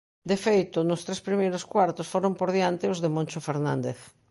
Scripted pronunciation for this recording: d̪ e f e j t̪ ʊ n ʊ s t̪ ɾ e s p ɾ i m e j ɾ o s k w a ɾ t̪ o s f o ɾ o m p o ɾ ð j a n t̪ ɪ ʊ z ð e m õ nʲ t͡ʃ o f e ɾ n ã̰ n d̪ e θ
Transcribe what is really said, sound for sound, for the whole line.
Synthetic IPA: d̪ e f e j t̪ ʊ n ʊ s t̪ ɾ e s p ɾ i m e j ɾ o s k w a ɾ t̪ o s f o ɾ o m p o ɾ ð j a n t̪ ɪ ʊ z ð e m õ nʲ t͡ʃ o f e ɾ n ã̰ n d̪ e θ